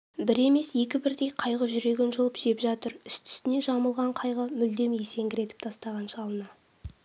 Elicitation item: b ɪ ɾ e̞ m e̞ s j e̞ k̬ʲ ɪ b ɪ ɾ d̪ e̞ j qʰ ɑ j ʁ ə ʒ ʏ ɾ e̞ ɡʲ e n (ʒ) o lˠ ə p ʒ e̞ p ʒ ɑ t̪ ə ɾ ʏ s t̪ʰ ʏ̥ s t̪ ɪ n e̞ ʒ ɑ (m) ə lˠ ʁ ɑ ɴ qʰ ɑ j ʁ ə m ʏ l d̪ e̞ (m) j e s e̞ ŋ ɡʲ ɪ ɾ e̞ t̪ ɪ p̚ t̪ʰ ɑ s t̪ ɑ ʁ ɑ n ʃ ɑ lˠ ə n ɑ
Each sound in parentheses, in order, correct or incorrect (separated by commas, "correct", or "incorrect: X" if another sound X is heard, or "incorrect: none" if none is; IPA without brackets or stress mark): correct, correct, correct